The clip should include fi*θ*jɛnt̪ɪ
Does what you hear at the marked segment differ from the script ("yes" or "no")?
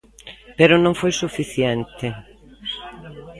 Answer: no